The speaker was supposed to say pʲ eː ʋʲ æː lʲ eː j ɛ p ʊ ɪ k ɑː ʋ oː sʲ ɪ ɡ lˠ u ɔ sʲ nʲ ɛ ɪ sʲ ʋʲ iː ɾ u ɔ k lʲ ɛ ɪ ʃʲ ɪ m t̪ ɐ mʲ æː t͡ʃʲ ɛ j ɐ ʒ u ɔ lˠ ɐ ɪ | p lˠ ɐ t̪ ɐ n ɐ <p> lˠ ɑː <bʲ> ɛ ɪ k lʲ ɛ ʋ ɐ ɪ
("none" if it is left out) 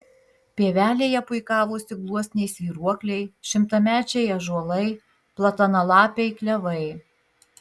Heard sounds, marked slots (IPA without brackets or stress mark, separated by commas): none, pʲ